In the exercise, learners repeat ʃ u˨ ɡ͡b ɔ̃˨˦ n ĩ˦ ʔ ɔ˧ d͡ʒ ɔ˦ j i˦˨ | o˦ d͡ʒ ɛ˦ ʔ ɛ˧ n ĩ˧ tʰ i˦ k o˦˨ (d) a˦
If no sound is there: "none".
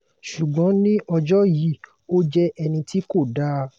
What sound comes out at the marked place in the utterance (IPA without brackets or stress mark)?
d